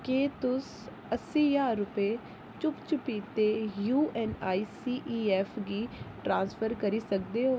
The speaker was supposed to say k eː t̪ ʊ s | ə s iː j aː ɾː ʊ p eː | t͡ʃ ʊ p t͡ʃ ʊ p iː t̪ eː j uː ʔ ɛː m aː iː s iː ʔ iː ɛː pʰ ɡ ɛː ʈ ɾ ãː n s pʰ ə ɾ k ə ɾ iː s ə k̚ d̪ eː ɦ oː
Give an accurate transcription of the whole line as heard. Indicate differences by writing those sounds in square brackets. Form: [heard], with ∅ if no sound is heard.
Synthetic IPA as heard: k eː t̪ ʊ s | ə s iː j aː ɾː ʊ p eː | t͡ʃ ʊ p t͡ʃ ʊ p iː t̪ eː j uː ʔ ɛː [n] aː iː s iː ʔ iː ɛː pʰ ɡ [iː] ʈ ɾ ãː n s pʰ ə ɾ k ə ɾ iː s ə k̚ d̪ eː ɦ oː